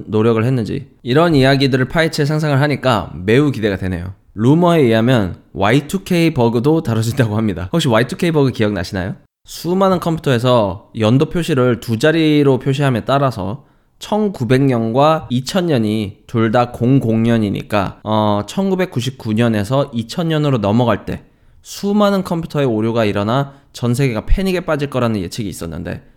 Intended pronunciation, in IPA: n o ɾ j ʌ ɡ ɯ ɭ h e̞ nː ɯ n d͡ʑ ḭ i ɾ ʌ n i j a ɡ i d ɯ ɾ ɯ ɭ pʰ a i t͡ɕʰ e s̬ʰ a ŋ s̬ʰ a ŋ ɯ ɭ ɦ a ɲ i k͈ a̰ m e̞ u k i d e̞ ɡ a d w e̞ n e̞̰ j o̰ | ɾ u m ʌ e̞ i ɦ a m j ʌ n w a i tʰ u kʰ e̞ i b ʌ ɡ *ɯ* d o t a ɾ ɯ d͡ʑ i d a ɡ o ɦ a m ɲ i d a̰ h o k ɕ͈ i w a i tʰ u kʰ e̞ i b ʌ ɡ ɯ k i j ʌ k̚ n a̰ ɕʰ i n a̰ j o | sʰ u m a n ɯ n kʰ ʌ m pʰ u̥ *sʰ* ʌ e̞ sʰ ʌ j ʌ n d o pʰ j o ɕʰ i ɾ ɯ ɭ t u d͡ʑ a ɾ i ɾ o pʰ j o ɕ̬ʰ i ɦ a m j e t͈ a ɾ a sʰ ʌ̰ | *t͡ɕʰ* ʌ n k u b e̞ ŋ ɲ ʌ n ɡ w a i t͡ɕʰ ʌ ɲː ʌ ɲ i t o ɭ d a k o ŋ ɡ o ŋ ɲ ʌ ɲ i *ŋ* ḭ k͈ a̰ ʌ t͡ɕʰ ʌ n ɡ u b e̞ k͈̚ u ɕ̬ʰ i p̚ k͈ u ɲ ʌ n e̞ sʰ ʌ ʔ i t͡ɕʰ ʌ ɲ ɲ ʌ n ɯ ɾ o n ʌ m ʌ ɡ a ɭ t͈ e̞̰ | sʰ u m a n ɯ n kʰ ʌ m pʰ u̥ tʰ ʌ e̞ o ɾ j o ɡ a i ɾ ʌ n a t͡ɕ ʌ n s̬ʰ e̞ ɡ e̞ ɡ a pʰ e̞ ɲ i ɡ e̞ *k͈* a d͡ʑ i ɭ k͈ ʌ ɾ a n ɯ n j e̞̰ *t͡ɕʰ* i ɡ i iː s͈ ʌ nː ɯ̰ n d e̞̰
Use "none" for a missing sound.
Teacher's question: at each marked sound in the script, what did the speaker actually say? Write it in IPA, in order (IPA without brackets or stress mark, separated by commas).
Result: ɯ, tʰ, t͡ɕʰ, ɲ, p͈, t͡ɕʰ